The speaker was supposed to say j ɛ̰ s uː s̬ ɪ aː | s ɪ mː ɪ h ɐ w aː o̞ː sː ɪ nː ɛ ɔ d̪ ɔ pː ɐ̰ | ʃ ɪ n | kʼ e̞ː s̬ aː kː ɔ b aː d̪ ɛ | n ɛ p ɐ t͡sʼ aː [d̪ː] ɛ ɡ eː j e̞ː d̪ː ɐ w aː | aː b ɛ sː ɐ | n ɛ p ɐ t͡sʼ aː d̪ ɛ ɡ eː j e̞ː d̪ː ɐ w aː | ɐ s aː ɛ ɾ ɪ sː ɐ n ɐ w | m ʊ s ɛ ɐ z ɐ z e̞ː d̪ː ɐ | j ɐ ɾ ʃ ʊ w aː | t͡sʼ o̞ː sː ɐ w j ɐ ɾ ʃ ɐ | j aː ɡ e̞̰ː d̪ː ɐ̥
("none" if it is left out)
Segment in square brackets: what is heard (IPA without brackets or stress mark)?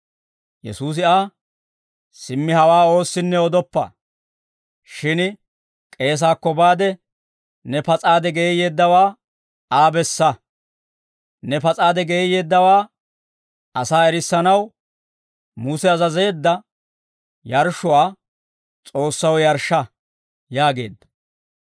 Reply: d̪